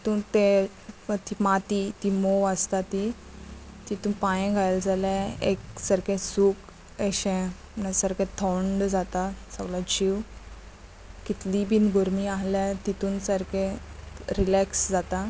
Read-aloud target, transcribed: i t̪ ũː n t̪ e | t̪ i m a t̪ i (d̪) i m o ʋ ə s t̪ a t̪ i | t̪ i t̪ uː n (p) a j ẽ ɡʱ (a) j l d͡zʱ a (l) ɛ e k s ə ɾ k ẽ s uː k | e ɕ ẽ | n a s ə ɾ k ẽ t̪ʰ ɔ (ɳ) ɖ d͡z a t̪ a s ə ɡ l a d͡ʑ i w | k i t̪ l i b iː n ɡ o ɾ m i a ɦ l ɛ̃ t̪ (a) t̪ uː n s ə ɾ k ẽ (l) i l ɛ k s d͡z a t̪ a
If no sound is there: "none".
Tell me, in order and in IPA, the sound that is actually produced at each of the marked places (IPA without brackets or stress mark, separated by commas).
t̪, p, a, l, ɳ, i, ɾ